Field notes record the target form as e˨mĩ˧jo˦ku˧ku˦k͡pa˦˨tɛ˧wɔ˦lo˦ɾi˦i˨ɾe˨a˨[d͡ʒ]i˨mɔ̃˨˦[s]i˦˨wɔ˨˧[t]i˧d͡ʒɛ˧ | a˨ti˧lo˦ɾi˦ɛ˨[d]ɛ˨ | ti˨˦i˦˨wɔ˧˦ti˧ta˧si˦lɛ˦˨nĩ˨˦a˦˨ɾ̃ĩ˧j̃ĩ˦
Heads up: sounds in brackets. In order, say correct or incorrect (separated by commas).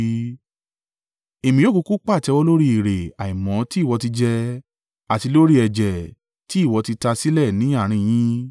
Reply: incorrect, incorrect, correct, incorrect